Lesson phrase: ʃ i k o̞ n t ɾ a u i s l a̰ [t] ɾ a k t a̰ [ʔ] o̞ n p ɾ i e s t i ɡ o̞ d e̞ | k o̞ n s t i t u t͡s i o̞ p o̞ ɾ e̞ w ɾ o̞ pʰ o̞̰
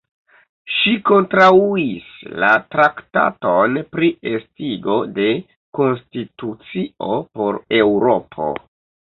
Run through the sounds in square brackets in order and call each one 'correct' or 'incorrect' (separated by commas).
correct, incorrect